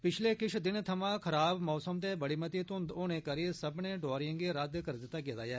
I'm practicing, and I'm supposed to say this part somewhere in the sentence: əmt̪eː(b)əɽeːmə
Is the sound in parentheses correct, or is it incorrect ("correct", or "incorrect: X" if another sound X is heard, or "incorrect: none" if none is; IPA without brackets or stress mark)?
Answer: correct